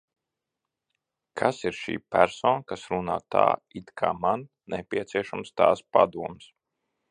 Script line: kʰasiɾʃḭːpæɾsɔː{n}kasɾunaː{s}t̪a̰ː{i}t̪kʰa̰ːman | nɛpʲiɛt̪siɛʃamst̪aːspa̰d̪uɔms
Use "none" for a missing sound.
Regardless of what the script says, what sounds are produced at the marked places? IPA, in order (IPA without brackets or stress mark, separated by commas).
n, none, i